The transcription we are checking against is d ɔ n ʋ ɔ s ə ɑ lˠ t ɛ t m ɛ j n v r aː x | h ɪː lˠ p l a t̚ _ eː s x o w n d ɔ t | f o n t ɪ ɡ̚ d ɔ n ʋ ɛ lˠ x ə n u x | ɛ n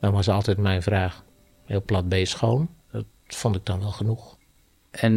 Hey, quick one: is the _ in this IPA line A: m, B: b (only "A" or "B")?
B